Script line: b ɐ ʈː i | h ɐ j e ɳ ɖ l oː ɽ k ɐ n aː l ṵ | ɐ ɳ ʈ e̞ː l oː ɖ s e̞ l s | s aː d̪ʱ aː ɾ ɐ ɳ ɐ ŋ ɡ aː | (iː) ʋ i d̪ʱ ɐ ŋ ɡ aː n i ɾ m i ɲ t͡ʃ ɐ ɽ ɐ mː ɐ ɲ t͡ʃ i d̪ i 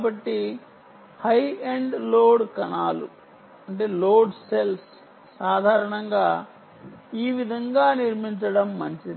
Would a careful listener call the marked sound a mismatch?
no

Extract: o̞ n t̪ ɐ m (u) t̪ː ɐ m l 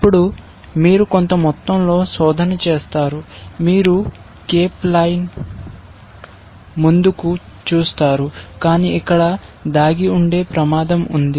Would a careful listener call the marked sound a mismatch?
yes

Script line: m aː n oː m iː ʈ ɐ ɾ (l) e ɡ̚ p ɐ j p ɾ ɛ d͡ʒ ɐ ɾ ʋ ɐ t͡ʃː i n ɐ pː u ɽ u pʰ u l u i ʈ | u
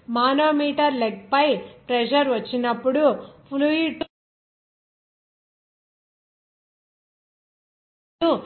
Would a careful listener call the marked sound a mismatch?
no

